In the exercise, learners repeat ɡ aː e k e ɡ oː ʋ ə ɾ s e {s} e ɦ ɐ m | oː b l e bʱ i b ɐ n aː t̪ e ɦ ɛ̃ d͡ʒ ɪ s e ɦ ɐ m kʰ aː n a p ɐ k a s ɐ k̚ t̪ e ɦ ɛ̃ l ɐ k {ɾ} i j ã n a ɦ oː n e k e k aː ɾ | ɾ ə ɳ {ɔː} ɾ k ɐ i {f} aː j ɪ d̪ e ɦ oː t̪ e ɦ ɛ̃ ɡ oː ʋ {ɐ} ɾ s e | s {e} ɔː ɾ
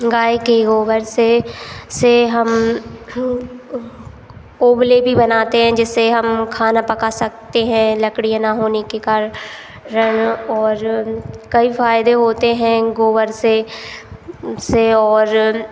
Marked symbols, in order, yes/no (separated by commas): yes, no, yes, yes, no, yes